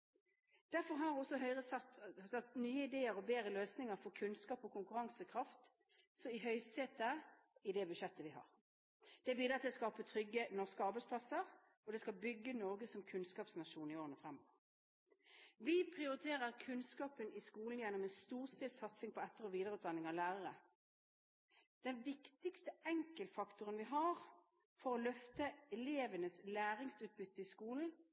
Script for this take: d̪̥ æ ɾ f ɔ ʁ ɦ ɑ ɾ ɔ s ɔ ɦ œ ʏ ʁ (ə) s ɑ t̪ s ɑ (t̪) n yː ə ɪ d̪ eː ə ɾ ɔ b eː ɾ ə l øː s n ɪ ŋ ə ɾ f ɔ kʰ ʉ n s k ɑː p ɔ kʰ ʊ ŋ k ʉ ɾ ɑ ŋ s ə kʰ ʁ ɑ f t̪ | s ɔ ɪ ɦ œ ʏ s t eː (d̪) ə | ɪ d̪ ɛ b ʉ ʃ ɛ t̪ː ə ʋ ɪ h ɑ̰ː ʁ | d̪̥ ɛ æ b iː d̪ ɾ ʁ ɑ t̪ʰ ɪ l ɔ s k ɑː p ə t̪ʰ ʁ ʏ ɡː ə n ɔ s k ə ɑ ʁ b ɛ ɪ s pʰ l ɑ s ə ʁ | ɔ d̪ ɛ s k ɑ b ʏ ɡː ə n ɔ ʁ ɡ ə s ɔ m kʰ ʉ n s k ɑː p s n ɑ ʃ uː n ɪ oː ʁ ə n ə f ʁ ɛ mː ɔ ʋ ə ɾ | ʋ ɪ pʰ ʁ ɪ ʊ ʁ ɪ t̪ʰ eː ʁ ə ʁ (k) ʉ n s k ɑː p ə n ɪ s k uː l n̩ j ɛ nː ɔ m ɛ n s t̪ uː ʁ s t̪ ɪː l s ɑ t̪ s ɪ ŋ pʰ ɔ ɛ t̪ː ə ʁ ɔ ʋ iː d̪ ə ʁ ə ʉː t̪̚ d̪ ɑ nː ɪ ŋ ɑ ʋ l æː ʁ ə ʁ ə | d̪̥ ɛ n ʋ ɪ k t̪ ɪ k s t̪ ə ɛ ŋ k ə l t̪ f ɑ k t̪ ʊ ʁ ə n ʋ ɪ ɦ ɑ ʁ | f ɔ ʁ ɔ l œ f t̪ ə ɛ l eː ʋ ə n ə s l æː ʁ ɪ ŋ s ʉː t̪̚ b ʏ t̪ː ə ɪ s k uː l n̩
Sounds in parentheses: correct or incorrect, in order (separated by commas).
correct, correct, incorrect, incorrect